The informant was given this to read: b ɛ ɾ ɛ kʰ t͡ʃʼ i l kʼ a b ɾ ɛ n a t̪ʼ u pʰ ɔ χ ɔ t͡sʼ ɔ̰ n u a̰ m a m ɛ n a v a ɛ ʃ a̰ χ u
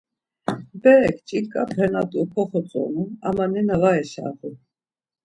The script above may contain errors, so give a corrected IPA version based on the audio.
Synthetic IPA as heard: b ɛ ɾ ɛ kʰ t͡ʃʼ i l kʼ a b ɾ ɛ n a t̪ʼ u pʰ ɔ χ ɔ t͡sʼ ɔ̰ n u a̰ m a n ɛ n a v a ɛ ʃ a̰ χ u